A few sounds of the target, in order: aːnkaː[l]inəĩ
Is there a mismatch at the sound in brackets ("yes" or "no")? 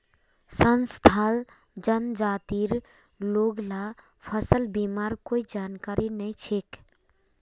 yes